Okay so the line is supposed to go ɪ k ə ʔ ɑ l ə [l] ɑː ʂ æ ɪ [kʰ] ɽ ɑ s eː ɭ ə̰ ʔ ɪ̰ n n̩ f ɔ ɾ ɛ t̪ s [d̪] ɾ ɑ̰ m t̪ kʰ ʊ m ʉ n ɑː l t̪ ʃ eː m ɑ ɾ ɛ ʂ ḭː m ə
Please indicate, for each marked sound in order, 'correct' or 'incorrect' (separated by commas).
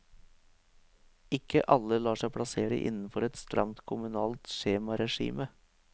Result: correct, incorrect, incorrect